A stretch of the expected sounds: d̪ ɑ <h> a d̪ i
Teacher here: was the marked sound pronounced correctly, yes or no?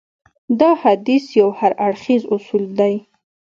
yes